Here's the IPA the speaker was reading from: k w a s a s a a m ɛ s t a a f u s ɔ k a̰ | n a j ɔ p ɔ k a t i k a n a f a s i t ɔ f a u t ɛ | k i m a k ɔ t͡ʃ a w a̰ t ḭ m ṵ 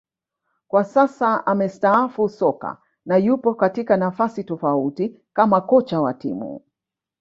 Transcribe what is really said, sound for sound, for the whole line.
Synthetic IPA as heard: k w a s a s a a m ɛ s t a a f u s ɔ k a̰ | n a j u p ɔ k a t i k a n a f a s i t ɔ f a u t i | k a m a k ɔ t͡ʃ a w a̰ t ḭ m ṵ